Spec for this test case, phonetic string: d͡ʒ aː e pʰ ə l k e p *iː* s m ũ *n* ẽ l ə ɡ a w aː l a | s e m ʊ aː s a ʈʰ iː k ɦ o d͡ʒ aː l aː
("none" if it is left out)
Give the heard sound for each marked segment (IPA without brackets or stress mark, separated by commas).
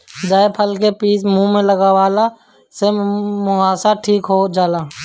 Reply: iː, m